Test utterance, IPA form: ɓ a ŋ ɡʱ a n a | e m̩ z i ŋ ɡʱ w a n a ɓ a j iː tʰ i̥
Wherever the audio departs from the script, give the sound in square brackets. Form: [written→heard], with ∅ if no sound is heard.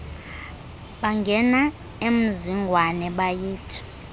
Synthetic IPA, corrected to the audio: ɓ a ŋ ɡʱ [a→ɛ] n a | e m̩ z i ŋ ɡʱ w a n [a→ɛ] ɓ a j iː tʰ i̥